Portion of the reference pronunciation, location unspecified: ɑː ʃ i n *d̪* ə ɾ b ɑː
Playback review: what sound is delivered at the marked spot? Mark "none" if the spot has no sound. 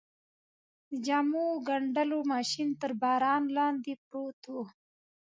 t̪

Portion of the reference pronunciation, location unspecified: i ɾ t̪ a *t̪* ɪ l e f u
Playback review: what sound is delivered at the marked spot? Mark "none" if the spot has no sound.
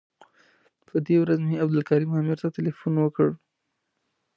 t̪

